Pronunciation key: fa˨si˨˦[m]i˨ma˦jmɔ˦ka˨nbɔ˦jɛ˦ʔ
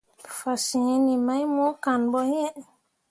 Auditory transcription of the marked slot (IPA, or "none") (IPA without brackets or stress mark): n